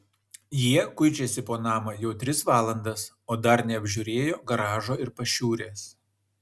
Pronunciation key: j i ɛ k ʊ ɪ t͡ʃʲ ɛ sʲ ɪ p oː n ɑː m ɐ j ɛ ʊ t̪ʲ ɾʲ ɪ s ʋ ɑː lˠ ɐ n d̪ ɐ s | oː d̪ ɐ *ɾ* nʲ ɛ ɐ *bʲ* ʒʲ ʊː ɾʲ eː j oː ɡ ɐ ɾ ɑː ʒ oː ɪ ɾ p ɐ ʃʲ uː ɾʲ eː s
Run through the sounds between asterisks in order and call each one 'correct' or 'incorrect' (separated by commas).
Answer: correct, correct